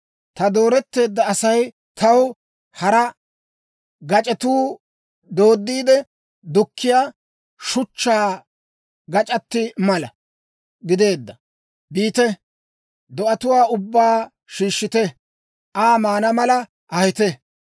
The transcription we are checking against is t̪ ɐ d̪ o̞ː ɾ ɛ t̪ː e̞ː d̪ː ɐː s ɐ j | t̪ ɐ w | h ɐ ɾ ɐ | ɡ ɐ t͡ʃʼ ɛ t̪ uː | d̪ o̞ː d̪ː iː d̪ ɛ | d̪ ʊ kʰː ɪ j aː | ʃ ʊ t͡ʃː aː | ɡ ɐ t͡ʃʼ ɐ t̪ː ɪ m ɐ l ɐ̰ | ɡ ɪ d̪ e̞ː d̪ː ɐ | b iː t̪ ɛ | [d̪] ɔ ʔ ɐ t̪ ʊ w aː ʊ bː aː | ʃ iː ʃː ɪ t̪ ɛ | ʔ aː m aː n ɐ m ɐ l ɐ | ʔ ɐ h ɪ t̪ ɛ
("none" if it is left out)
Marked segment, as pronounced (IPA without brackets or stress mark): d̪